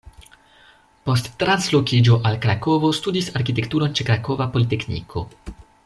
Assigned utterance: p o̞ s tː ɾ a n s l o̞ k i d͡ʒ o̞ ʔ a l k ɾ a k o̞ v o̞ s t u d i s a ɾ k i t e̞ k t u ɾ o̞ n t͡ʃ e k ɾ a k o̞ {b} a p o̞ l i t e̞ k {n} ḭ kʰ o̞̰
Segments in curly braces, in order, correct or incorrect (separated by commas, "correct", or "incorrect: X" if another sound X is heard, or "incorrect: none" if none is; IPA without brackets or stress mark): incorrect: v, correct